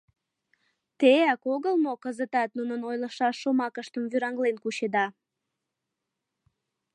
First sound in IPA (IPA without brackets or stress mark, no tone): t̪